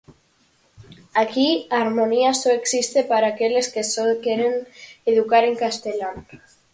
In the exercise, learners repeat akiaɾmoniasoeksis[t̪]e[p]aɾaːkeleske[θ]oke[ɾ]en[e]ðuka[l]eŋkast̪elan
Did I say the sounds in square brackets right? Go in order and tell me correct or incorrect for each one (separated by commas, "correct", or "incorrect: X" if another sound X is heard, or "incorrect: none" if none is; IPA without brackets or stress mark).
correct, correct, incorrect: s, correct, correct, incorrect: ɾ